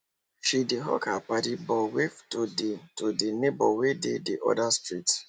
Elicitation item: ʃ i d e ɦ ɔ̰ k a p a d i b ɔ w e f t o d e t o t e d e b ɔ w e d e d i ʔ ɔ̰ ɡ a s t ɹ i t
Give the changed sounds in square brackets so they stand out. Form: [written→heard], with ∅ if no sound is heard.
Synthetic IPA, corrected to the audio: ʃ i d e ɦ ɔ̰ k a p a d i b ɔ w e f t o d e t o [t→d] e [d→n] e b ɔ w e d e d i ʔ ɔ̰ [ɡ→d] a s t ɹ i t